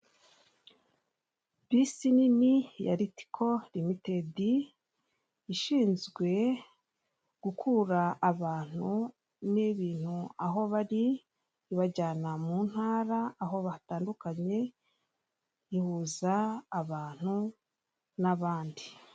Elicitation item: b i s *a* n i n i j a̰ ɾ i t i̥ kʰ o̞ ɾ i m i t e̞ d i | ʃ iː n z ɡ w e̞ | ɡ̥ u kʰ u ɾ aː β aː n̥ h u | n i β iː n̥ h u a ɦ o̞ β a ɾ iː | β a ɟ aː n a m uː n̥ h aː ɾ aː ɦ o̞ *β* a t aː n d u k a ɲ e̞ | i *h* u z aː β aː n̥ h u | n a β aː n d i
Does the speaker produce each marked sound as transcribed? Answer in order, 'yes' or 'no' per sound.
no, yes, yes

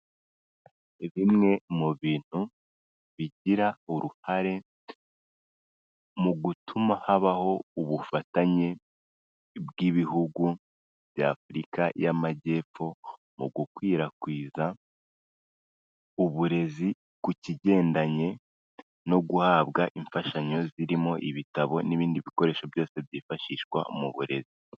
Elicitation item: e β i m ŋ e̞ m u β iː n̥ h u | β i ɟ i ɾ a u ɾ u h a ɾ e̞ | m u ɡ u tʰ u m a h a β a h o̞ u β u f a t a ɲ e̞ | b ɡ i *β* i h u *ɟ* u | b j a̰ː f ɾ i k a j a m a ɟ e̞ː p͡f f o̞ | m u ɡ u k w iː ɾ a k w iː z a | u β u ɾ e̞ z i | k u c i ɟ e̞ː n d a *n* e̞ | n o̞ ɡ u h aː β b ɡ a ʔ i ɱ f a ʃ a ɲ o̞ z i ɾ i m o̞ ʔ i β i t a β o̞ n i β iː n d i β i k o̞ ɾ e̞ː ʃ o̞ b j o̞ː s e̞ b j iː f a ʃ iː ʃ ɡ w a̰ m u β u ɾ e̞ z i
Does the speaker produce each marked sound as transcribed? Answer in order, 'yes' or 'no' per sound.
yes, no, no

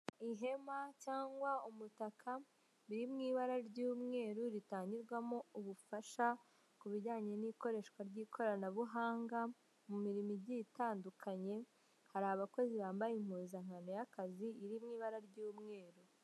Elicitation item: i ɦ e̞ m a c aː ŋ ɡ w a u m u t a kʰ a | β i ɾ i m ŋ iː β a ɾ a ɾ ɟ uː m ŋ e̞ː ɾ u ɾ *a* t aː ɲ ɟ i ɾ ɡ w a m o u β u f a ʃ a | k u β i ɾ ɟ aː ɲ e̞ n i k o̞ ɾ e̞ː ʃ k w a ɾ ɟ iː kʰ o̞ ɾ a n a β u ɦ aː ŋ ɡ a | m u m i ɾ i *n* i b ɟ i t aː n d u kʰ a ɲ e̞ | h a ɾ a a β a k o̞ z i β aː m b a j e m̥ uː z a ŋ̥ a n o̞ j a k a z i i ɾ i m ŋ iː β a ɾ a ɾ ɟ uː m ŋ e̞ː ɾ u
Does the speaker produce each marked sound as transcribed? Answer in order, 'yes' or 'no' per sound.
no, no

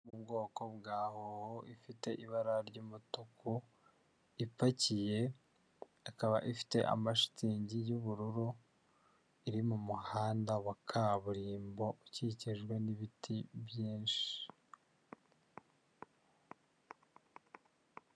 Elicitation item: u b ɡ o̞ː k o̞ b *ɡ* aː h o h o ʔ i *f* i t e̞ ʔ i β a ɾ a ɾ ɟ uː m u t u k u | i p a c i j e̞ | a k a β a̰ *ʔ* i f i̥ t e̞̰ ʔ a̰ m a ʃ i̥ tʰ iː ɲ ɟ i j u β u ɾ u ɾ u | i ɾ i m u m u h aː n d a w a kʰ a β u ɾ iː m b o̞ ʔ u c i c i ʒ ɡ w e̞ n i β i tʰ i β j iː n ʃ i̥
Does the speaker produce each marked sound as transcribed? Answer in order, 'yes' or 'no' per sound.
yes, yes, yes

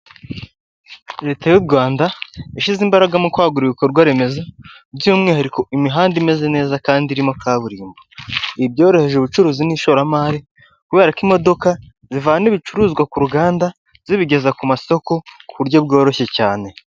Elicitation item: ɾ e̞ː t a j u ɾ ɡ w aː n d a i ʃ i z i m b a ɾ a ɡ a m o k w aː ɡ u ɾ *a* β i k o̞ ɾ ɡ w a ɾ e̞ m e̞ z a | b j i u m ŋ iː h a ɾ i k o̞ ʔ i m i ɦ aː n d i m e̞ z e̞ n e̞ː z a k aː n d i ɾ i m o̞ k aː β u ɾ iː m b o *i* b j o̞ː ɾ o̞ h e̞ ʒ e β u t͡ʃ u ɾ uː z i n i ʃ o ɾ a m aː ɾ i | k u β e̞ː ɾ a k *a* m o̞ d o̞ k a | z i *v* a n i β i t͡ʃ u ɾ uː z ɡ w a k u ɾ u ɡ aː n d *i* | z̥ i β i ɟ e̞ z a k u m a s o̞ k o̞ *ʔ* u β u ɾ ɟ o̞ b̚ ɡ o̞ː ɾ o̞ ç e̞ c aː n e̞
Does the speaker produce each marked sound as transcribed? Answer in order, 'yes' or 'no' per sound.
no, yes, no, yes, no, no

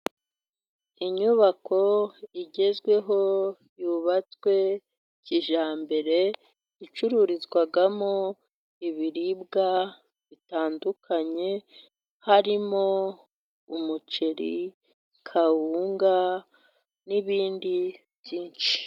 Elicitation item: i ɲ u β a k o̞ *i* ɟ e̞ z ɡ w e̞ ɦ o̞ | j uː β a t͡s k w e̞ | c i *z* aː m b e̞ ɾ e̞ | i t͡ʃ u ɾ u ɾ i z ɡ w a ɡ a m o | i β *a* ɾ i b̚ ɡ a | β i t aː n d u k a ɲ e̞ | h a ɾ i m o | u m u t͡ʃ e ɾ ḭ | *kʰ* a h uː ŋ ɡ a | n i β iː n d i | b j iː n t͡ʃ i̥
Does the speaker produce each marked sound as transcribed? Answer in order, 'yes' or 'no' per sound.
yes, no, no, yes

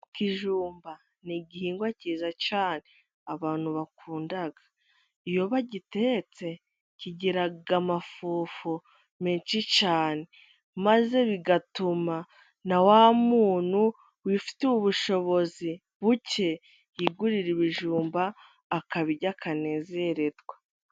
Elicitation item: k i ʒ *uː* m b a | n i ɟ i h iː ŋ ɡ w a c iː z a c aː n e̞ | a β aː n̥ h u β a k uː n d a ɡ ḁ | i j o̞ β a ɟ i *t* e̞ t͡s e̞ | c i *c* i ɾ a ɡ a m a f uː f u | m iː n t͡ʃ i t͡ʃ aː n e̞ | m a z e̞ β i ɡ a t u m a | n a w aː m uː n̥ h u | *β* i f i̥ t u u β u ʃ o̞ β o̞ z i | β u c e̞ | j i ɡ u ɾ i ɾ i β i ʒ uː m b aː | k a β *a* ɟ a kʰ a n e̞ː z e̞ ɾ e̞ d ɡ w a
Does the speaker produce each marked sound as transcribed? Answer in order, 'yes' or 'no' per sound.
yes, yes, no, no, no

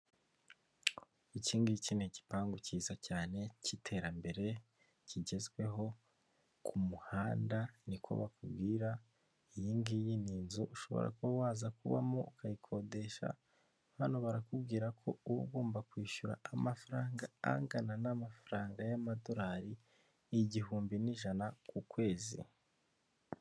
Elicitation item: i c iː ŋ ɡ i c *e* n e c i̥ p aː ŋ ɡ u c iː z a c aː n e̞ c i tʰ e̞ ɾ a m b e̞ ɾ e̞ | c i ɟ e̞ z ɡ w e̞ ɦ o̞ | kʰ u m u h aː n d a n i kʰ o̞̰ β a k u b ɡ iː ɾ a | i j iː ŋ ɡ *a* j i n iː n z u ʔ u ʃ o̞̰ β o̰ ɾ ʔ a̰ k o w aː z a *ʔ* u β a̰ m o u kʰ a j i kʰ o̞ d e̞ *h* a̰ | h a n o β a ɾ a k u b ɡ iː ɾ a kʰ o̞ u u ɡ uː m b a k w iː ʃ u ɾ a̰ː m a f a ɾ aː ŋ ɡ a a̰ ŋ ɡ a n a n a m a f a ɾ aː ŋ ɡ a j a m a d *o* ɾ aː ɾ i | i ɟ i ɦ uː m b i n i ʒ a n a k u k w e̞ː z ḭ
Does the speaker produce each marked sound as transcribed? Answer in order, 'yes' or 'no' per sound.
no, no, no, no, yes

